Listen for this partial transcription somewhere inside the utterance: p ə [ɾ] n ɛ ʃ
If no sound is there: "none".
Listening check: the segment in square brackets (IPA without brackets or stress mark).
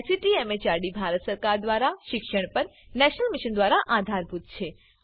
ɾ